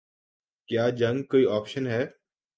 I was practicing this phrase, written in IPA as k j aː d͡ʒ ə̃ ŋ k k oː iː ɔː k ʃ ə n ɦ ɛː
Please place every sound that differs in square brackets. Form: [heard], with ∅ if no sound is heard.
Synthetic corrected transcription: k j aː d͡ʒ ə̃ ŋ [ɡ] k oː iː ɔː [p] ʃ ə n ɦ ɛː